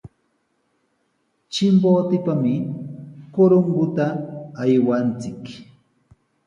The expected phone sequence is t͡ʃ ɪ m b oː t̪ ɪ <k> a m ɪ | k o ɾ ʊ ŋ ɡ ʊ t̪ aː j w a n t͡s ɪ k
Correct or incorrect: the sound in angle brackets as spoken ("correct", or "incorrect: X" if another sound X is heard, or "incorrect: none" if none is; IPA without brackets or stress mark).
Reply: incorrect: p